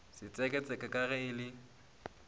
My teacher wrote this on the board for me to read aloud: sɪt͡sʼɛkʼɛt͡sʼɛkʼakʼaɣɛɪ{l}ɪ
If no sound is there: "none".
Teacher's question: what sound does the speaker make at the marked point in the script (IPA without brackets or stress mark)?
l